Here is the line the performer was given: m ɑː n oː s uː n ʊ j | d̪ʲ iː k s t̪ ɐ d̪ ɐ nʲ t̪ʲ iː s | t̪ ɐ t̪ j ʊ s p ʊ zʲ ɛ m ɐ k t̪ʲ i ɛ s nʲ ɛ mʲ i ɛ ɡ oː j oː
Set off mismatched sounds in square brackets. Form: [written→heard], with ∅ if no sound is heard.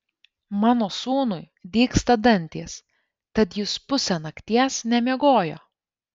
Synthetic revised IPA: m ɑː n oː s uː n ʊ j | d̪ʲ iː k s t̪ ɐ d̪ ɐ nʲ t̪ʲ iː s | t̪ ɐ t̪ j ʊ s p ʊ [zʲ→sʲ] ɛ [m→n] ɐ k t̪ʲ i ɛ s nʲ ɛ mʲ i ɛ ɡ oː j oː